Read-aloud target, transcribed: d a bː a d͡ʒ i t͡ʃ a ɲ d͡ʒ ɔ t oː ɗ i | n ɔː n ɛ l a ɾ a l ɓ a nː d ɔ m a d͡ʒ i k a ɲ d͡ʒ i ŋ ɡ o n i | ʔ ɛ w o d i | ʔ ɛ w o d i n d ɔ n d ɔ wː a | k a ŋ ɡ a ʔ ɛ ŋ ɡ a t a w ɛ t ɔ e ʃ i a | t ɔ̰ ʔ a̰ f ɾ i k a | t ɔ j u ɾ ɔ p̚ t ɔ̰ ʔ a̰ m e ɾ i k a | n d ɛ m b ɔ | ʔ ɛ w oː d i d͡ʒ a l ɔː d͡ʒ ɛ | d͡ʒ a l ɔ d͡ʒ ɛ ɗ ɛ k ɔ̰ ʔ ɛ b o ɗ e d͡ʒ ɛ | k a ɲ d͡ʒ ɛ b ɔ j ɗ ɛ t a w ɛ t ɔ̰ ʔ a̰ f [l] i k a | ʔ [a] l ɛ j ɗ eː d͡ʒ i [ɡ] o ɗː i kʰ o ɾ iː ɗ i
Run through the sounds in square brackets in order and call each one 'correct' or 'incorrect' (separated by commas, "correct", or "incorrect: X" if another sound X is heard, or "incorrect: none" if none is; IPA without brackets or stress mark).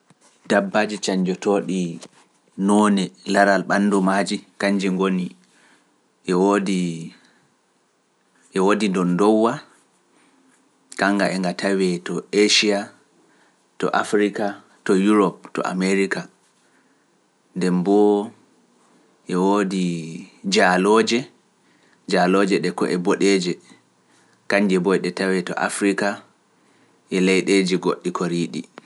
incorrect: ɾ, incorrect: ɛ, correct